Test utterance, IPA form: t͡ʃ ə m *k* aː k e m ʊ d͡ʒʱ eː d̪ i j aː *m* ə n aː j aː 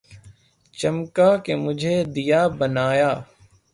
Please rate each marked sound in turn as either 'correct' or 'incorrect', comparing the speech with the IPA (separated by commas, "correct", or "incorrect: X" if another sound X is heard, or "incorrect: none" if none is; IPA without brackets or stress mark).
correct, incorrect: b